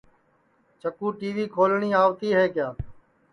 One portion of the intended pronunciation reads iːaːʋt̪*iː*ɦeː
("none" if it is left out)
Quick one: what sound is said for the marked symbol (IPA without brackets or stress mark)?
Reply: iː